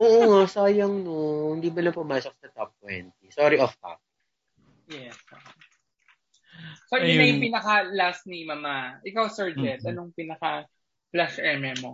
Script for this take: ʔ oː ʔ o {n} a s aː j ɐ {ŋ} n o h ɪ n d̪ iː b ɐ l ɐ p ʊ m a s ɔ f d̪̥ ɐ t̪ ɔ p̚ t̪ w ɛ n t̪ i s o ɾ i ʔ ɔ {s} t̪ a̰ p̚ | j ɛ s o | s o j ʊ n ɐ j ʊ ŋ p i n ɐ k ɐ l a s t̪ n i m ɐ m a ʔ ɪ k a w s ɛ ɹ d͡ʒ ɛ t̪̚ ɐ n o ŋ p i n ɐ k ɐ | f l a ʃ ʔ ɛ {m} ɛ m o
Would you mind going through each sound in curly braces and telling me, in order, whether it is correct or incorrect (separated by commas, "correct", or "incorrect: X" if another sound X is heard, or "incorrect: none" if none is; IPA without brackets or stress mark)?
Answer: incorrect: ŋ, correct, incorrect: f, correct